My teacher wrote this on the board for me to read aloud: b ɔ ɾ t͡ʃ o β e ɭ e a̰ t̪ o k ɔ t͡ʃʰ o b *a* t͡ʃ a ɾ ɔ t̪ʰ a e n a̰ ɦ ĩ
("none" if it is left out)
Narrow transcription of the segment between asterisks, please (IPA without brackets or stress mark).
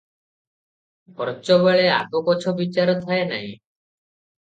i